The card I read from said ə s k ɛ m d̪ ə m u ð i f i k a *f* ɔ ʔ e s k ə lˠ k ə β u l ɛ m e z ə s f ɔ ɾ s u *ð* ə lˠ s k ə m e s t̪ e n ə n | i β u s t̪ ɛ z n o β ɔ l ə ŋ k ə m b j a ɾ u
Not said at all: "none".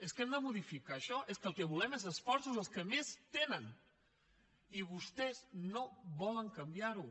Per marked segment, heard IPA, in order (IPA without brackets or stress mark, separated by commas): ʃ, z